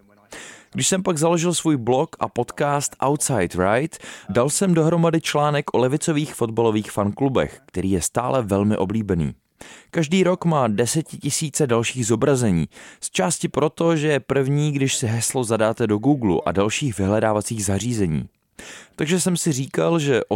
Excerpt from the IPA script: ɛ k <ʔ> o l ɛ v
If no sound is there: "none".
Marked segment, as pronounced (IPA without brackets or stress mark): ʔ